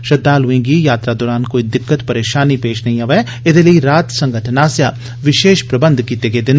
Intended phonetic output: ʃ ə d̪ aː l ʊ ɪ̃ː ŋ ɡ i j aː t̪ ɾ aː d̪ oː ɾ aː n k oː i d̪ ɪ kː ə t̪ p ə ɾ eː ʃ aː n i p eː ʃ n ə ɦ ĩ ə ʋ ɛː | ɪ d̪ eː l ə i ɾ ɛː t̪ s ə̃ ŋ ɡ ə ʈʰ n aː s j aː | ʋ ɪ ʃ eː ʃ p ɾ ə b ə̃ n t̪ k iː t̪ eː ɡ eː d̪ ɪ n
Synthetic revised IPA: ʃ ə d̪ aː l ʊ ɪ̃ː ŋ ɡ i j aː t̪ ɾ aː d̪ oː ɾ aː n k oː i d̪ ɪ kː ə t̪ p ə ɾ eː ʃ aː n i p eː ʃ n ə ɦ ĩ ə ʋ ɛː | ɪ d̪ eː l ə i ɾ aː t̪ s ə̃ ŋ ɡ ə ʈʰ n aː s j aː | ʋ ɪ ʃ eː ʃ p ɾ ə b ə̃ n d̪ k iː t̪ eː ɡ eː d̪ ɪ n